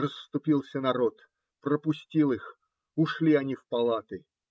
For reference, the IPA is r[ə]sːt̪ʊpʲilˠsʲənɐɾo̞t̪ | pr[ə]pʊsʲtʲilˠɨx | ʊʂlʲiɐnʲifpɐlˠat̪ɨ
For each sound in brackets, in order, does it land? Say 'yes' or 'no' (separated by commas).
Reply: yes, yes